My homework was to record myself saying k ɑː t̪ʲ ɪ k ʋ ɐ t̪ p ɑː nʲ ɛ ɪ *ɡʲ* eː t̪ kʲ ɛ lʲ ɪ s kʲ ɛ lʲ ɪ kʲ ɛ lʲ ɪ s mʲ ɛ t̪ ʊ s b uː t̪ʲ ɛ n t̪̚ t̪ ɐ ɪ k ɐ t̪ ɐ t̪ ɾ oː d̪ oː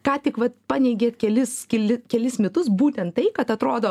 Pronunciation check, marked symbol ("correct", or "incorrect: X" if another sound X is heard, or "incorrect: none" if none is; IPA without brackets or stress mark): correct